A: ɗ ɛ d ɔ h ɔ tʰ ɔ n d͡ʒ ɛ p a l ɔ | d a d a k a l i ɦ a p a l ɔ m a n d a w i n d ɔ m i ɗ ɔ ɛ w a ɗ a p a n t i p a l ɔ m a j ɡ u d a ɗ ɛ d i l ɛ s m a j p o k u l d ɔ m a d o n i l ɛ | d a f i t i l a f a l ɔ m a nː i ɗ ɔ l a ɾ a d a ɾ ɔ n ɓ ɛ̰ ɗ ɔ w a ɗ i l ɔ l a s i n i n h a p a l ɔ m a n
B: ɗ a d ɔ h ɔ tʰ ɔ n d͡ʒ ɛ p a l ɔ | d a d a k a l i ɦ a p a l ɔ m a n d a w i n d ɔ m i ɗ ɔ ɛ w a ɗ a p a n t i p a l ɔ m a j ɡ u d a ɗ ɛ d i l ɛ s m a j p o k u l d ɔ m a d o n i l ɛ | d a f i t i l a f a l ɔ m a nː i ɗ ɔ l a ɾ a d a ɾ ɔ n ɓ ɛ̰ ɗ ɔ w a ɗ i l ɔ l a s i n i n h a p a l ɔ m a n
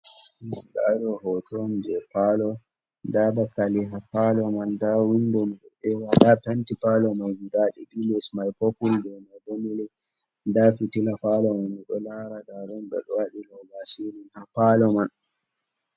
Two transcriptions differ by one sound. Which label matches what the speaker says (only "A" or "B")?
B